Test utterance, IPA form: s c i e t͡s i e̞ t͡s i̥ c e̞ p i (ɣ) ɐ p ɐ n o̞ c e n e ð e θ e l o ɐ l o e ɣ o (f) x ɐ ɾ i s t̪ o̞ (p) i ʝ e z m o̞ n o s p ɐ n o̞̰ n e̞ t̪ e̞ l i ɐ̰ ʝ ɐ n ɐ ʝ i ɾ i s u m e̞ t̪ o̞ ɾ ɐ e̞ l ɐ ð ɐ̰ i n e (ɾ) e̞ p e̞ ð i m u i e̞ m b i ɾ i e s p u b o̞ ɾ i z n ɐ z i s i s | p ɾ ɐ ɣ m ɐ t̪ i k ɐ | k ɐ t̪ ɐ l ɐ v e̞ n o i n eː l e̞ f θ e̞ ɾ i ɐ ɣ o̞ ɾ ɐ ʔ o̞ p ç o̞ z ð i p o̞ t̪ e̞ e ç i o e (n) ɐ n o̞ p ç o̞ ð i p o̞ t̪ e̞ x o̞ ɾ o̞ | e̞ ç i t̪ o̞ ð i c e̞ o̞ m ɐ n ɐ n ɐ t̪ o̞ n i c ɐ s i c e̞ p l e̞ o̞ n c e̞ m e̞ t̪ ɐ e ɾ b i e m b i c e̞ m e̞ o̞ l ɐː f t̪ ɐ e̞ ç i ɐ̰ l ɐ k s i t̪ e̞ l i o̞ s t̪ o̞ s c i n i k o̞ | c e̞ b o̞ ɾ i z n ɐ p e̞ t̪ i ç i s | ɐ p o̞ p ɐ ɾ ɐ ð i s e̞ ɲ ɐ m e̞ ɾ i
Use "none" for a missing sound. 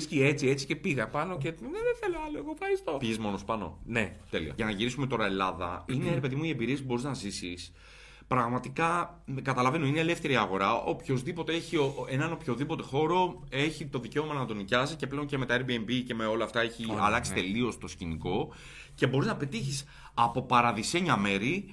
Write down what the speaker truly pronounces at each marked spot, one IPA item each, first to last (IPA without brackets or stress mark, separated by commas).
ɣ, f, p, ɾ, n